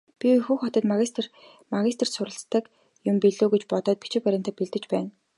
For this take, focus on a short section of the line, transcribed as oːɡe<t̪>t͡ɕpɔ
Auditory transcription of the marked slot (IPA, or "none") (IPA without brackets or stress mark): none